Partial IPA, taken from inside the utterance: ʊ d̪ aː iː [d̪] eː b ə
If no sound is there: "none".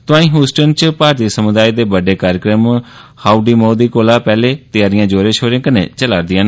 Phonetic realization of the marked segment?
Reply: d̪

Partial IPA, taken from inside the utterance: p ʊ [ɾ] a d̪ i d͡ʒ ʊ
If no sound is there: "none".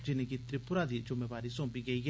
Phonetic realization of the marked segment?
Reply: ɾ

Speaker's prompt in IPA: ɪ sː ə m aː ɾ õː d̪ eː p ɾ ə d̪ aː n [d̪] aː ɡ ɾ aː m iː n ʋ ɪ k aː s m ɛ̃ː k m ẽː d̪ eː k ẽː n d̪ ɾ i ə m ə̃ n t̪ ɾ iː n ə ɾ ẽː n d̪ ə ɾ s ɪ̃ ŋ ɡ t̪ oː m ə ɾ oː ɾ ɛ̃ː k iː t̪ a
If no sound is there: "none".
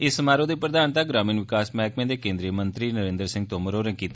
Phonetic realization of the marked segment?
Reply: t̪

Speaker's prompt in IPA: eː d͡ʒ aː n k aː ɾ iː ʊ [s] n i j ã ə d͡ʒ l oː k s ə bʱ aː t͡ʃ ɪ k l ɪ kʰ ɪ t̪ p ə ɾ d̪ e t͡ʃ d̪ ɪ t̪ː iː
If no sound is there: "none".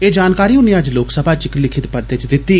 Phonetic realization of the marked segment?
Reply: none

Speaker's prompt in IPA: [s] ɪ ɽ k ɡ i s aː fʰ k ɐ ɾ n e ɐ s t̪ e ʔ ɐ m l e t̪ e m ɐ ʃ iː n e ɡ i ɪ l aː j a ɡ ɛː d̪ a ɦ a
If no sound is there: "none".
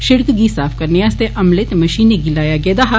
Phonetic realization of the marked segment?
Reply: ʃ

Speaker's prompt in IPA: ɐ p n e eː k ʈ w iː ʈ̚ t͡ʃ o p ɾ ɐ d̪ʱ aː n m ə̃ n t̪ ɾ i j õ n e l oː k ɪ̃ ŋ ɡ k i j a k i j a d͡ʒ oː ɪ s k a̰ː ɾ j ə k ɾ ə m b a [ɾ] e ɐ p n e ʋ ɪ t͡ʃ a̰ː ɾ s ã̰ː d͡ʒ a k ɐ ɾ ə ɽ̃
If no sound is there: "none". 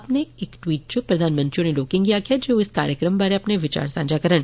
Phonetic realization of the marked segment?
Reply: ɾ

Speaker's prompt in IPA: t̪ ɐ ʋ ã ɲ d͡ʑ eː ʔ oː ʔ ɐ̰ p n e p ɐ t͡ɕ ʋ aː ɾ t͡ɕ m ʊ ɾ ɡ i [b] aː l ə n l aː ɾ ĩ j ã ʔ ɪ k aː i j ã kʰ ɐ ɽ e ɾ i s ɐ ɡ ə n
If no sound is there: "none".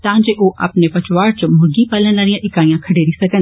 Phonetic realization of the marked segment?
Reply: p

